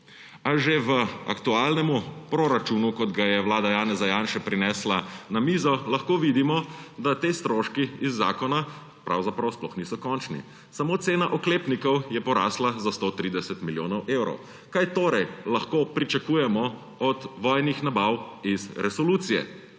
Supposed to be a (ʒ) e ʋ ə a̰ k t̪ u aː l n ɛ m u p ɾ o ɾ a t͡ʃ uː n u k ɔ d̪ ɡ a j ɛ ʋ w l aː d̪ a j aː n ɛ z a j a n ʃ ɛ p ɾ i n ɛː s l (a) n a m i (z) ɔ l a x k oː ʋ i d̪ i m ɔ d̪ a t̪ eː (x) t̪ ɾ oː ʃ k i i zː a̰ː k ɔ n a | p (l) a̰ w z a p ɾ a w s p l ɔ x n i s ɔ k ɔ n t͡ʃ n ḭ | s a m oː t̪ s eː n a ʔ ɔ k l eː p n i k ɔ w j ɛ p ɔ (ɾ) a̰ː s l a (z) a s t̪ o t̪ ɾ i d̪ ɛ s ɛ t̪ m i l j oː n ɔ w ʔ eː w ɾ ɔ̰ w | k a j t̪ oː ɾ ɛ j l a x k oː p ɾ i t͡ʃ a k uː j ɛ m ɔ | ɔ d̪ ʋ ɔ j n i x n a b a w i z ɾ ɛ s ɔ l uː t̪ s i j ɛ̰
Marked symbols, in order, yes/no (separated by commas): yes, yes, yes, no, no, yes, yes